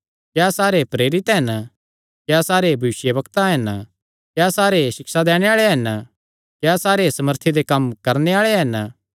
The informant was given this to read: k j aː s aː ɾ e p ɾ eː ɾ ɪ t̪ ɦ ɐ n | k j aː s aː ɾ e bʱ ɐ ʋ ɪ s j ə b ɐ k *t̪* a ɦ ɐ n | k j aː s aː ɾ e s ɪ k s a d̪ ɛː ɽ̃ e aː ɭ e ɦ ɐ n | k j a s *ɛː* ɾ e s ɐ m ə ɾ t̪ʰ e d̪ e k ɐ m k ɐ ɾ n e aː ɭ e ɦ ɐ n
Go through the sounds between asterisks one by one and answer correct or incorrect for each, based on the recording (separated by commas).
correct, incorrect